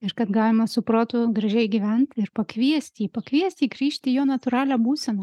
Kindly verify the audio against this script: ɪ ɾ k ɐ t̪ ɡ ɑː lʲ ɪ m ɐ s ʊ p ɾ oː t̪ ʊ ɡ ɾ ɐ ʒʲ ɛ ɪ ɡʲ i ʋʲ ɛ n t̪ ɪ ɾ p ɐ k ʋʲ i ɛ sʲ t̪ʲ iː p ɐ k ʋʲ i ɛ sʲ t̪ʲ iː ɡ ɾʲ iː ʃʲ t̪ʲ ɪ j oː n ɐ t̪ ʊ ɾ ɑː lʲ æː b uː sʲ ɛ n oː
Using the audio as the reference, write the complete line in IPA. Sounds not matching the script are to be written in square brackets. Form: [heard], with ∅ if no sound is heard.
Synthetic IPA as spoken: ɪ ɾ k ɐ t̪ ɡ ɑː lʲ ɪ m ɐ s ʊ p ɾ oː t̪ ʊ ɡ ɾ ɐ ʒʲ ɛ ɪ ɡʲ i ʋʲ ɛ n t̪ ɪ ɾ p ɐ k ʋʲ i ɛ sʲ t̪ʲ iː p ɐ k ʋʲ i ɛ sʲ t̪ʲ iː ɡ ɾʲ iː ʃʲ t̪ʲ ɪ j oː n ɐ t̪ ʊ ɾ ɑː lʲ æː b uː sʲ ɛ n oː